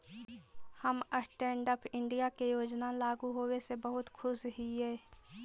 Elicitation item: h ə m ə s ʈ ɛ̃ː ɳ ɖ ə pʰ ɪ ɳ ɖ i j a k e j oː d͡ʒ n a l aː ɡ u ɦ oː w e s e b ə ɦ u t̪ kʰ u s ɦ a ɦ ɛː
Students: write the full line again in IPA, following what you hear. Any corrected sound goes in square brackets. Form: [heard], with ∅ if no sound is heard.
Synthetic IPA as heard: h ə m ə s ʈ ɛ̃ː ɳ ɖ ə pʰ ɪ ɳ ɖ i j a k e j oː d͡ʒ n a l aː ɡ u ɦ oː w e s e b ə ɦ [ʊ] t̪ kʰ [ʊ] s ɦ [i] ɦ ɛː

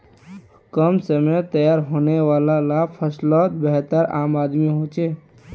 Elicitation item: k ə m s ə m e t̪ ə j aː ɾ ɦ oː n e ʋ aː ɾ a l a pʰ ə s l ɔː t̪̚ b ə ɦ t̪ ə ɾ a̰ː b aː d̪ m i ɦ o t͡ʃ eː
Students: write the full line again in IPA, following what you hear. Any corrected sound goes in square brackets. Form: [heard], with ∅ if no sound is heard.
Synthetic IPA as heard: k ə m s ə m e t̪ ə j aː ɾ ɦ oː n e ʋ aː [l] a l a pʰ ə s l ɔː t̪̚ b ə ɦ t̪ ə ɾ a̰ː [m] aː d̪ m i ɦ o t͡ʃ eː

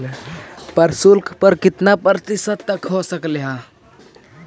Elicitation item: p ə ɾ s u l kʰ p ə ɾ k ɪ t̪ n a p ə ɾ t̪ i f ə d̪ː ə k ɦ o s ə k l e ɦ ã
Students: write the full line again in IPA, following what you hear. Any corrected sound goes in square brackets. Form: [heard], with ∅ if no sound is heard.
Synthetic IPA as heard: p ə ɾ s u l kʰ p ə ɾ k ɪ t̪ n a p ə ɾ t̪ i [s] ə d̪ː ə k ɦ o s ə k l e ɦ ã

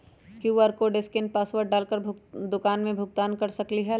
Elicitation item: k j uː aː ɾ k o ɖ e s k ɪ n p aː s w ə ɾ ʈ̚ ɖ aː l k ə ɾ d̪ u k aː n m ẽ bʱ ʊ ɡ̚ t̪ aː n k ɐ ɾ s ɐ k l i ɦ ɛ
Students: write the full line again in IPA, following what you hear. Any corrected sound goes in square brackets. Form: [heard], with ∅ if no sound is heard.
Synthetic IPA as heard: k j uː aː ɾ k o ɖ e s k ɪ n p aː s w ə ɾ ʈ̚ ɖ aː l k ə ɾ d̪ [ʊ] k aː n m ẽ bʱ ʊ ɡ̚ t̪ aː n k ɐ ɾ s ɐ k l i ɦ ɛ

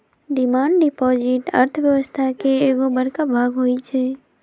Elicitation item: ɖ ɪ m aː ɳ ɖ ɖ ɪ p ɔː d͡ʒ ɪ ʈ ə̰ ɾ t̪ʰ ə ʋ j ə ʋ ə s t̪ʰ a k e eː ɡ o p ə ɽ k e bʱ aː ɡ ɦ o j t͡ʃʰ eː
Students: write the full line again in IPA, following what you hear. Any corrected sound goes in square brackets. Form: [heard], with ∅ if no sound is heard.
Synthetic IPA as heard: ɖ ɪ m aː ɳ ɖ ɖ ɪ p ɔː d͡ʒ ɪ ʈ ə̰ ɾ t̪ʰ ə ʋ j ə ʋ ə s t̪ʰ a k e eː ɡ o [b] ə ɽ k [a] bʱ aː ɡ ɦ o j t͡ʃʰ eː

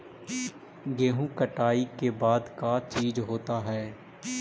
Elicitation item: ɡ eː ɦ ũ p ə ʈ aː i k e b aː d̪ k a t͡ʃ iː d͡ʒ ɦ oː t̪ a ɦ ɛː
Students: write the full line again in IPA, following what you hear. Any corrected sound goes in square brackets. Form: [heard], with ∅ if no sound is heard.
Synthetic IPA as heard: ɡ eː ɦ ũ [k] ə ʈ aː i k e b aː d̪ k a t͡ʃ iː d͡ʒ ɦ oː t̪ a ɦ ɛː

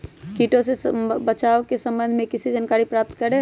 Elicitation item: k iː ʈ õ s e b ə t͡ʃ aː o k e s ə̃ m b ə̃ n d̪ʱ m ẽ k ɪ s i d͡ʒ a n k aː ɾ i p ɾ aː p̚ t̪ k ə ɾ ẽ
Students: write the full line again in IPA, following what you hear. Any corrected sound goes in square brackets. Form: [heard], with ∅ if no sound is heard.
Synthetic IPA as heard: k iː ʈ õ s e b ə t͡ʃ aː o k e s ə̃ m b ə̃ n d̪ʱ m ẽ k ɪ s i d͡ʒ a n k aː ɾ i p ɾ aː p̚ t̪ k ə ɾ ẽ

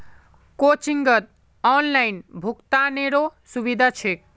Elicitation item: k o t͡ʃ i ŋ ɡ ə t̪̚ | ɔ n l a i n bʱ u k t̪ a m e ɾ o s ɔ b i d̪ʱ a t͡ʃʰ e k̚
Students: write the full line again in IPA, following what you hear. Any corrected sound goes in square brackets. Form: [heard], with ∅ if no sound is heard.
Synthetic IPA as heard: k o t͡ʃ i ŋ ɡ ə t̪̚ | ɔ n l a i n bʱ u k t̪ a [n] e ɾ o s [u] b i d̪ʱ a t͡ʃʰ e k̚

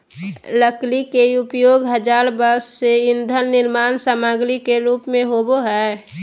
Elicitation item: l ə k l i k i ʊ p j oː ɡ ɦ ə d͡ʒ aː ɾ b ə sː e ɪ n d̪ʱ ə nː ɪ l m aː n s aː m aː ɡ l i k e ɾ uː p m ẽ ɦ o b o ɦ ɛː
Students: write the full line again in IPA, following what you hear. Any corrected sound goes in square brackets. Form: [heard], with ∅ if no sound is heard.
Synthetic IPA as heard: l ə k l i k [e] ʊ p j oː ɡ ɦ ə d͡ʒ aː ɾ b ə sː e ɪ n d̪ʱ ə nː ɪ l m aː n s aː m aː ɡ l i k e ɾ uː p m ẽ ɦ o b o ɦ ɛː

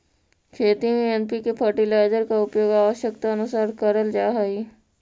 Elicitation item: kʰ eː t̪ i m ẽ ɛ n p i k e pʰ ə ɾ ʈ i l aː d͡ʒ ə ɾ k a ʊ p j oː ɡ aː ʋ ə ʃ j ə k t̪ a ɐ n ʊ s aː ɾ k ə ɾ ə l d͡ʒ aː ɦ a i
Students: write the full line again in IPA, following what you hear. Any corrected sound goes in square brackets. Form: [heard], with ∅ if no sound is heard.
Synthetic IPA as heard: kʰ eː t̪ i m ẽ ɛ n p i k e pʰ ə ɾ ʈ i l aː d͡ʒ ə ɾ k a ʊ p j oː ɡ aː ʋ ə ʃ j ə k t̪ a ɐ n ʊ s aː ɾ k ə ɾ ə l d͡ʒ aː ɦ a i

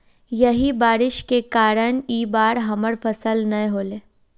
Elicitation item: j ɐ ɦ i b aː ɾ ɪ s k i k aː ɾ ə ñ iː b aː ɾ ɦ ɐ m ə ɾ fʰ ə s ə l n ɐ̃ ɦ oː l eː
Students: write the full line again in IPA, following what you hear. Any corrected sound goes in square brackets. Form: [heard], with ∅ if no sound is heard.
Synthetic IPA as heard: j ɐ ɦ i b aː ɾ ɪ [ʃ] k [e] k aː ɾ ə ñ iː b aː ɾ ɦ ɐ m ə ɾ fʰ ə s ə l n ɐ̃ ɦ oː l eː

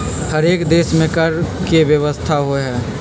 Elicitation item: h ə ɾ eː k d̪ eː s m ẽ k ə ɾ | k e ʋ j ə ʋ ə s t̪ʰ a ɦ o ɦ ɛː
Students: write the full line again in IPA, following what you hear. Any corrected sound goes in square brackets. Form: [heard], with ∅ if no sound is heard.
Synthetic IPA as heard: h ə ɾ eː k d̪ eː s m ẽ k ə ɾ | k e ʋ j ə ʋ ə s t̪ʰ a ɦ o ɦ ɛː

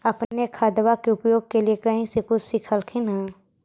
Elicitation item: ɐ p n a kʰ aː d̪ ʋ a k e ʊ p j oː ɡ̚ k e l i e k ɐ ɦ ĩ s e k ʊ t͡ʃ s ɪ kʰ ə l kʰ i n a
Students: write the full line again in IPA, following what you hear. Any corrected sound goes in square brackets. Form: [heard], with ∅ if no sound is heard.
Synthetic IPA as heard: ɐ p n [e] kʰ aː d̪ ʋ a k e ʊ p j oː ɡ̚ k e l i e k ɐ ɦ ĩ s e k ʊ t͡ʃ s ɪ kʰ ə l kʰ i n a

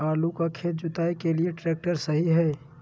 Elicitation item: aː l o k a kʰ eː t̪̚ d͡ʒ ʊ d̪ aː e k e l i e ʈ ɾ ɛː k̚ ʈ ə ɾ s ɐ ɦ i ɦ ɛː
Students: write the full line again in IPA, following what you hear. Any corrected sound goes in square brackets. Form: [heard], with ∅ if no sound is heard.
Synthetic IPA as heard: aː l [u] k a kʰ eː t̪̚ d͡ʒ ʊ [t̪] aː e k e l i e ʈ ɾ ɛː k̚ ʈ ə ɾ s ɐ ɦ i ɦ ɛː

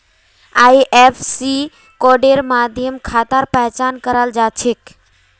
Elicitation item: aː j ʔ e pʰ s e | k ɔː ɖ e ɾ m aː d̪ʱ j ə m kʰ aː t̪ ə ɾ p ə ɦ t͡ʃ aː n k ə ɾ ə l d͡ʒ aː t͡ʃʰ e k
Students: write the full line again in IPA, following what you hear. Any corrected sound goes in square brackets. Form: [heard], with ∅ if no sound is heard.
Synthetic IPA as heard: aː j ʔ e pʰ s [i] | k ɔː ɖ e ɾ m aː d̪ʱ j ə m kʰ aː t̪ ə ɾ p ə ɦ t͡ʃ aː n k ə ɾ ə l d͡ʒ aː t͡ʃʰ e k

